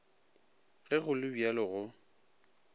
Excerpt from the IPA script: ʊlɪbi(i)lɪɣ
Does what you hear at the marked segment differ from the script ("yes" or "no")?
yes